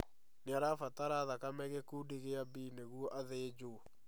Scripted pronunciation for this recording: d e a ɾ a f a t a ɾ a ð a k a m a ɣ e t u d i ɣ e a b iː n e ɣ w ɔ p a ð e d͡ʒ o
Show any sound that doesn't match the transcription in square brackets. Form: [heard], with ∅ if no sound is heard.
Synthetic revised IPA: [n] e a ɾ a f a t a ɾ a ð a k a m [ɛ] ɣ e [k] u d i ɣ e a b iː n e ɣ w ɔ [ʔ] a ð e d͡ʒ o

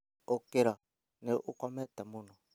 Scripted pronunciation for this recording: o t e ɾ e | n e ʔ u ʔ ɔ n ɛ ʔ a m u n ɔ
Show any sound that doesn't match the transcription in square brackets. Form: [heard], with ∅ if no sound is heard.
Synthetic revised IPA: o [k] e ɾ [a] | n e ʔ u [k] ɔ [m] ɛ [t] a m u n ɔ

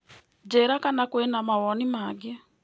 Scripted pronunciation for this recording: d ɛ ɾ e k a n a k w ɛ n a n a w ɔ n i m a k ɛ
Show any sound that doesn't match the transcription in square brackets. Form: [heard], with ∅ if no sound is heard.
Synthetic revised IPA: [d͡ʒ] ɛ ɾ [a] k a n a k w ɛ n a [m] a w ɔ n i m a [ɡ] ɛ

